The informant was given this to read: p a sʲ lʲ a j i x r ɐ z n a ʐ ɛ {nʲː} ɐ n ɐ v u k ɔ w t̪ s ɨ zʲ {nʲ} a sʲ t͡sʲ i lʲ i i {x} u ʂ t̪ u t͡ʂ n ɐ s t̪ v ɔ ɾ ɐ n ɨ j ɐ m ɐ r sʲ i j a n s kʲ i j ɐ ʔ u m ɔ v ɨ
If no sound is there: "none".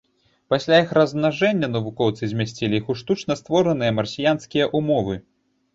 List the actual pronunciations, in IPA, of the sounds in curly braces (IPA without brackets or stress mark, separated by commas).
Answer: nʲː, mʲ, x